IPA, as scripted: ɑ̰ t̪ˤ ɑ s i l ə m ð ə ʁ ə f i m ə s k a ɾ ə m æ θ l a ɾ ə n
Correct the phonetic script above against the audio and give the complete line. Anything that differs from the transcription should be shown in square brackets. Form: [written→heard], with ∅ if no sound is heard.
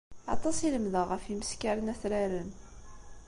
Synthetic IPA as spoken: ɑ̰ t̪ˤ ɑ s i l ə m ð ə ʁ ə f i m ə s k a ɾ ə [m→n] æ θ [l→ɾ] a ɾ ə n